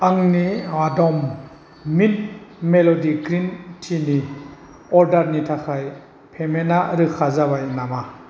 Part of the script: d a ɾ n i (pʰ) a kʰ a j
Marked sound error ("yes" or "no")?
yes